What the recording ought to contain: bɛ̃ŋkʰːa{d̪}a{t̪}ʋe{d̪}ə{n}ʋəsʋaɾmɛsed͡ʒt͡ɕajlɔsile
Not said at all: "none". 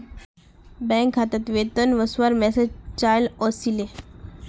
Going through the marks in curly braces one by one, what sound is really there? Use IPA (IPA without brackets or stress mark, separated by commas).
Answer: t̪, t̪, t̪, n